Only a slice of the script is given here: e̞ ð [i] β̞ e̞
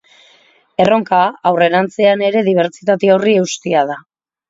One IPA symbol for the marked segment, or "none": i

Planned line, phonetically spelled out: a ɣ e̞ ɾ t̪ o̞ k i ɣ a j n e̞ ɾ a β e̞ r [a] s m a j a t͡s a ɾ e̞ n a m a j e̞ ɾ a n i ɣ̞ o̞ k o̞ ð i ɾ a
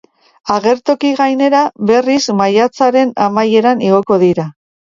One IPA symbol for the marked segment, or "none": i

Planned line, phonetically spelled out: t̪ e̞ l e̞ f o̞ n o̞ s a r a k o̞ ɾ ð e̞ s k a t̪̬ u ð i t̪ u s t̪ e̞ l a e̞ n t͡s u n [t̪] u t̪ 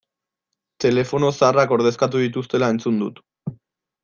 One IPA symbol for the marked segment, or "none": d̪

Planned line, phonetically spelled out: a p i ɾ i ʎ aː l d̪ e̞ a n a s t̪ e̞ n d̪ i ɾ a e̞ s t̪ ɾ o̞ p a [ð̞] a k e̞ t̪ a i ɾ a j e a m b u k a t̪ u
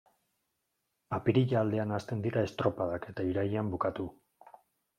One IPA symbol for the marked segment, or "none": ð̞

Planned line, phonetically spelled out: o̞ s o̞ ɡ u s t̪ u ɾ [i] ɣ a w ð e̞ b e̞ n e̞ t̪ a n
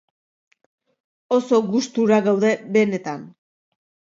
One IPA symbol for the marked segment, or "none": a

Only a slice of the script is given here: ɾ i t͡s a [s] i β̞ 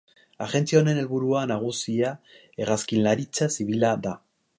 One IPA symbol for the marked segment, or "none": s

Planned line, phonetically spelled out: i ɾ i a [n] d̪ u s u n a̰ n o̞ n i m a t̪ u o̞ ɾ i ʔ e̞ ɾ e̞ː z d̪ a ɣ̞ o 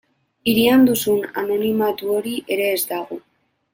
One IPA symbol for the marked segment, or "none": n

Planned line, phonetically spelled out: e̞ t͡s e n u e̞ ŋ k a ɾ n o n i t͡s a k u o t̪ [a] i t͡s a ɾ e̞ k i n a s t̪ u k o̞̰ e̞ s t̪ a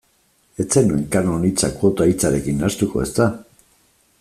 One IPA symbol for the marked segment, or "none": a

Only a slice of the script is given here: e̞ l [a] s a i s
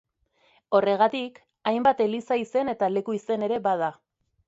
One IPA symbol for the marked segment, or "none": i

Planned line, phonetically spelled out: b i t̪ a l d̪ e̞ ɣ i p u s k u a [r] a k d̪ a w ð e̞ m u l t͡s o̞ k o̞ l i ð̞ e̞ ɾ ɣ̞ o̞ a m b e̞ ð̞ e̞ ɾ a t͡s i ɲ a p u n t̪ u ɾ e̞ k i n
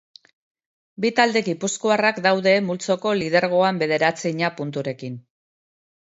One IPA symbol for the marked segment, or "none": r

